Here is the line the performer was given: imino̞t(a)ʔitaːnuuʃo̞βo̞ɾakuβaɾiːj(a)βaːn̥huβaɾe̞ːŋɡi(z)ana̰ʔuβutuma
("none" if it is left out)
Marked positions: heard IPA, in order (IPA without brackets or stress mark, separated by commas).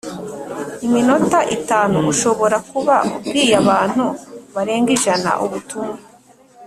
a, a, ʒ